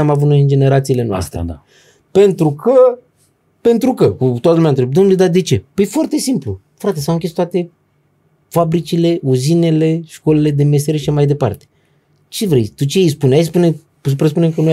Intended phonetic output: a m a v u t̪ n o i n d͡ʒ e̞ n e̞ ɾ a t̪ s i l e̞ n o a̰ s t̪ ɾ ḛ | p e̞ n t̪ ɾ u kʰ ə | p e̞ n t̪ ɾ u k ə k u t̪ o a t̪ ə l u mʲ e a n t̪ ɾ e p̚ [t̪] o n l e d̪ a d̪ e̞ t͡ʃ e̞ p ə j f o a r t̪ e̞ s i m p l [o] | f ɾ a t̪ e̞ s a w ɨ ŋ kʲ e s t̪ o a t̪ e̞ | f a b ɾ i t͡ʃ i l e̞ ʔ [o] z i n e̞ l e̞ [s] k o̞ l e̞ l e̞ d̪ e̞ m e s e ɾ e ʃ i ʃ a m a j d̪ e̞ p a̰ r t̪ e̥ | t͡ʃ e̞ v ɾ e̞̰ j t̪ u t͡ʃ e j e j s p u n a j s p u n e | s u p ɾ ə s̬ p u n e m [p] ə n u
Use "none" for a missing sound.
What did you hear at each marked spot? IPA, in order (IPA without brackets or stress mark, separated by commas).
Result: d̪, u, u, ʃ, k